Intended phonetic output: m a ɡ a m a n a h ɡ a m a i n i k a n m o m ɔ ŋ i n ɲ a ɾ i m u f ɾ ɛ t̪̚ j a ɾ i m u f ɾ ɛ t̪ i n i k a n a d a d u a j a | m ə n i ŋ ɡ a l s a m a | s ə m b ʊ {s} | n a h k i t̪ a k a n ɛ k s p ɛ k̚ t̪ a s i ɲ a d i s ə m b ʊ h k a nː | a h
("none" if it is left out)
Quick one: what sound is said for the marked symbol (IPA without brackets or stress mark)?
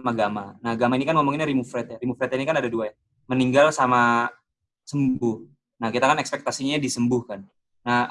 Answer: h